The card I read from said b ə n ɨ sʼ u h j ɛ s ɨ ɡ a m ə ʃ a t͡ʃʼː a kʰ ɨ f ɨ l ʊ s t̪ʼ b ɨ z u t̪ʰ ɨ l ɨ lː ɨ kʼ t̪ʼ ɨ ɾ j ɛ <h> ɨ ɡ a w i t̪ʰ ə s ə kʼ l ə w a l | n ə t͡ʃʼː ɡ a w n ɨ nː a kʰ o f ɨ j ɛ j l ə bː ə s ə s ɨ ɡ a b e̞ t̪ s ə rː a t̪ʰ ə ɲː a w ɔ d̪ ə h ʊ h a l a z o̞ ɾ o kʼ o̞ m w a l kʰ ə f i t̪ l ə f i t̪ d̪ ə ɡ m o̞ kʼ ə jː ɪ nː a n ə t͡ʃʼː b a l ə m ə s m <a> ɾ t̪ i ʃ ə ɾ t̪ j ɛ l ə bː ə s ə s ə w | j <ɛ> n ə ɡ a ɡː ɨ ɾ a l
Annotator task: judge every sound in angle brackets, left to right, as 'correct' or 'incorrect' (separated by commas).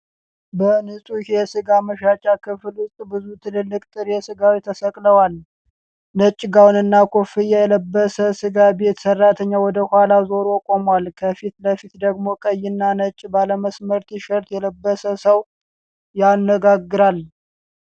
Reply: incorrect, incorrect, incorrect